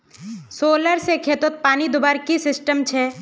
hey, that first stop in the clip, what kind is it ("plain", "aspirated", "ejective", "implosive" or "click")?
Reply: aspirated